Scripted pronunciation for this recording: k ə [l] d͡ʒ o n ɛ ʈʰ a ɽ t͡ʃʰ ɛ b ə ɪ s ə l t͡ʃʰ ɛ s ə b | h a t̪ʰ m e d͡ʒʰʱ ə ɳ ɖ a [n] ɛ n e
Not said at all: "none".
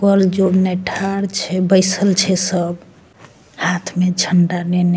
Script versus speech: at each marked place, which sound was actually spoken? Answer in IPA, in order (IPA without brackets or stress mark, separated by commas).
l, n